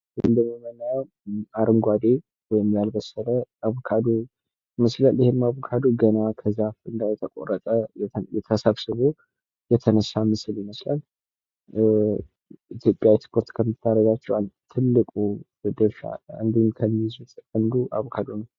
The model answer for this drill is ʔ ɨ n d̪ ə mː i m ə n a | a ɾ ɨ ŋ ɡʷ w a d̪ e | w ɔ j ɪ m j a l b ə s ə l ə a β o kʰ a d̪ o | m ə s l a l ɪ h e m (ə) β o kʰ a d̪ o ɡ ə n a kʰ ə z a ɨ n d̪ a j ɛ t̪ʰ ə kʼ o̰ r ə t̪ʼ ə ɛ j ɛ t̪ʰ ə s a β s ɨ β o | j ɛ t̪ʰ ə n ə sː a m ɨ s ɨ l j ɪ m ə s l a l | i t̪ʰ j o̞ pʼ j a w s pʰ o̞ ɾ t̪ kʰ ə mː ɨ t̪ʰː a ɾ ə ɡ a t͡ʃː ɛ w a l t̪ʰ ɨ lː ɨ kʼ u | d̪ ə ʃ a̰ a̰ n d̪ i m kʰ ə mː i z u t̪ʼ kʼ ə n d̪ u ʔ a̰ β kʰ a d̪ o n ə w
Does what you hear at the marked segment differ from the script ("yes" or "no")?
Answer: yes